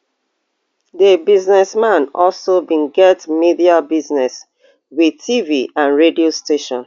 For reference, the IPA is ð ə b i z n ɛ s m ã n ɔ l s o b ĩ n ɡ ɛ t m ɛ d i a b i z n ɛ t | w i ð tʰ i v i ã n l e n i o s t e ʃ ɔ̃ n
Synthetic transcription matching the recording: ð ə b i z n ɛ s m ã n ɔ l s o b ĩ n ɡ ɛ t m i d i a b i z n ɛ s | w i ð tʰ i v i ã n ɹ e d i o s t e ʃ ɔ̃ n